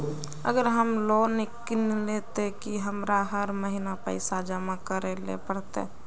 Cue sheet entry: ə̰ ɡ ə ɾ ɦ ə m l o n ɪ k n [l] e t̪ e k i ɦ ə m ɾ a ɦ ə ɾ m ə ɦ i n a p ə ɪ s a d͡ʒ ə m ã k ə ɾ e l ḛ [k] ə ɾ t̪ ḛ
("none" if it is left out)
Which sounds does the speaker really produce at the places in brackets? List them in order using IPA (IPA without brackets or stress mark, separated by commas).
l, p